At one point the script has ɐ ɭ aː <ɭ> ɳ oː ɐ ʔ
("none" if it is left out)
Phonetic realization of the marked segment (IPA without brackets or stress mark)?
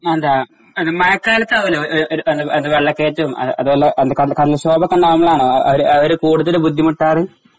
none